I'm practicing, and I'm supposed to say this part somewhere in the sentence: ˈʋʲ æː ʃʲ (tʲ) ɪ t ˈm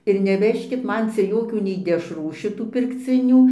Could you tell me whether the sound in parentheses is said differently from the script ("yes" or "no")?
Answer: yes